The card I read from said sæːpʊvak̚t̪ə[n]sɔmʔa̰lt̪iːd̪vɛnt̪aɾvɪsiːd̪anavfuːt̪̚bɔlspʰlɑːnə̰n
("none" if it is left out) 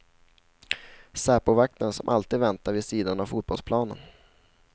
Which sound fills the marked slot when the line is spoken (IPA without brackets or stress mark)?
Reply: n